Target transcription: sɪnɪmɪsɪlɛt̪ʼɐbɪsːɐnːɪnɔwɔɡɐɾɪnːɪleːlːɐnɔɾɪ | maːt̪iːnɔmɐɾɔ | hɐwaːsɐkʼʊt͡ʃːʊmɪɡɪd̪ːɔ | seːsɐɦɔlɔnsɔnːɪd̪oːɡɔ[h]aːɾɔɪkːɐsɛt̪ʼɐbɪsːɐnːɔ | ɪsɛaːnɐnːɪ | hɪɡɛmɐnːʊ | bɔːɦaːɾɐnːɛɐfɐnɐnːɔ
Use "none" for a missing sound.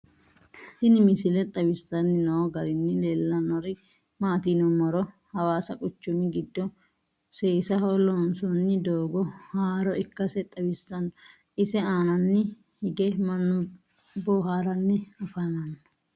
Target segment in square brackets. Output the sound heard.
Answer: h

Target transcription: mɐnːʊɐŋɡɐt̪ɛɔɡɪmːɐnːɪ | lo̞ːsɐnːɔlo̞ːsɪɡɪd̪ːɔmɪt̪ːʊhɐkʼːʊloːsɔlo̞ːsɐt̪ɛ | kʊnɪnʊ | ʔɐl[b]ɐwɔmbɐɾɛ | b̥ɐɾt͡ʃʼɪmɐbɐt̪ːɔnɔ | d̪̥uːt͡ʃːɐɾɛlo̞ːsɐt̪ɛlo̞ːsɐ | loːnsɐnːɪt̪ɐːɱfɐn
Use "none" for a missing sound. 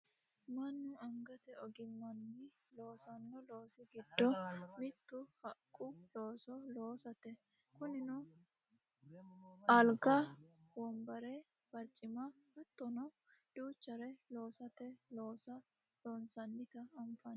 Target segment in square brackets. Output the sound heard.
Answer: ɡ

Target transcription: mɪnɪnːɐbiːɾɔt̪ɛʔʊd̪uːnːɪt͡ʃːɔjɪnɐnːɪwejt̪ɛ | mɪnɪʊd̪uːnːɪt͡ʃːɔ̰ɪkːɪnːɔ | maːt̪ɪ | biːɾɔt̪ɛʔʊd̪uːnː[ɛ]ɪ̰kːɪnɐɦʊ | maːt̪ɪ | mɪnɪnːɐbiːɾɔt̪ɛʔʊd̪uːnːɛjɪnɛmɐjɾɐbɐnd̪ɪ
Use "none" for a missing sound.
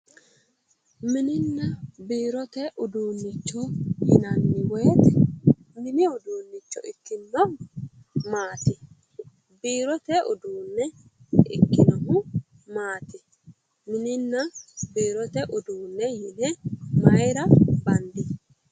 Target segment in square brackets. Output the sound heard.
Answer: ɛ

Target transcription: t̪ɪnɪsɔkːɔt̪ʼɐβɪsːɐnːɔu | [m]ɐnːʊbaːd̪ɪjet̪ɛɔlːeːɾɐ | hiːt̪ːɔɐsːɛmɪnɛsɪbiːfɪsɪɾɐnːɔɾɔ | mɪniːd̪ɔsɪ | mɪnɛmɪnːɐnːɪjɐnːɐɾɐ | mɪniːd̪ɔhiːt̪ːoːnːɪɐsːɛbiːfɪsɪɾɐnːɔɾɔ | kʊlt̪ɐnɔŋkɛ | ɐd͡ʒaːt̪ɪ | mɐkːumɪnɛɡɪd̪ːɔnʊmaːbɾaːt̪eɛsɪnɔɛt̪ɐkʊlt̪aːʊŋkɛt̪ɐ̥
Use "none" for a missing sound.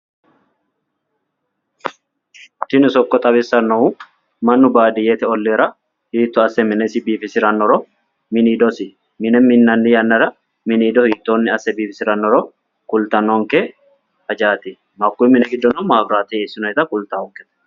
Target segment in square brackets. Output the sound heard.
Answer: m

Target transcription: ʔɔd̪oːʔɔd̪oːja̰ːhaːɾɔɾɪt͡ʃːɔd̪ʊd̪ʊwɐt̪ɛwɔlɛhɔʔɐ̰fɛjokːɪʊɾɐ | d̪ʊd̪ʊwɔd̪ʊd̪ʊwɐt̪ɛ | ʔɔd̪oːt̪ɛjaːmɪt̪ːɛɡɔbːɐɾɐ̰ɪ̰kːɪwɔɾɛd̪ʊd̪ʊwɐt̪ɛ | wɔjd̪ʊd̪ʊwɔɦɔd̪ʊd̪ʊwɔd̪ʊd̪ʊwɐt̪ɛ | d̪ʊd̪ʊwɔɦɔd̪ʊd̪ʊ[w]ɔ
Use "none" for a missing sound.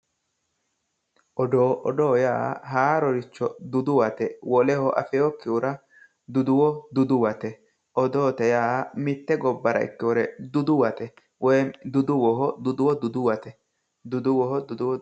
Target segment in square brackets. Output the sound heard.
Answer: w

